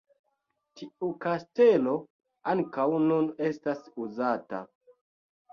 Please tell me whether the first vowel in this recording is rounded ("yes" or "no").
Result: no